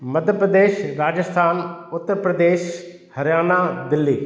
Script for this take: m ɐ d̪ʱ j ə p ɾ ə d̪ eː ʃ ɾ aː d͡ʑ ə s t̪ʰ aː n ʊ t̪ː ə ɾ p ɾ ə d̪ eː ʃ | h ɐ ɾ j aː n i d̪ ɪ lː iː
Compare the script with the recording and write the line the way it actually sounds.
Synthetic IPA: m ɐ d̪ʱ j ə p ɾ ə d̪ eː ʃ ɾ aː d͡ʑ ə s t̪ʰ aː n ʊ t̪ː ə ɾ p ɾ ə d̪ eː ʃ | h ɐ ɾ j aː n a d̪ ɪ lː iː